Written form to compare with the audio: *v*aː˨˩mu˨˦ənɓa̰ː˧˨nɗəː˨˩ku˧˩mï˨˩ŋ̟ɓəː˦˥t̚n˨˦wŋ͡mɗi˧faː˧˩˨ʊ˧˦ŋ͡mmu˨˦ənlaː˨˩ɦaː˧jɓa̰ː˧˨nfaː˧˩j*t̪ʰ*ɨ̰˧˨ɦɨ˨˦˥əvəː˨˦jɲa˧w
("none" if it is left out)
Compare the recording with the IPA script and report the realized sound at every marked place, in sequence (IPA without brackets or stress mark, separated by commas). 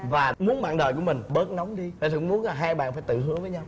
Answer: v, t̪